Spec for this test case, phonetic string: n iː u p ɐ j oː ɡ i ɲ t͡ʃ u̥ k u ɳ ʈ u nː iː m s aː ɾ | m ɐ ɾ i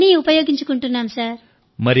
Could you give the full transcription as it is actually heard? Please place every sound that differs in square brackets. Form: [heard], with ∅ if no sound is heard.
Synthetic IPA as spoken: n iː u p ɐ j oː ɡ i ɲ t͡ʃ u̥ k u ɳ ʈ u nː [aː] m s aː ɾ | m ɐ ɾ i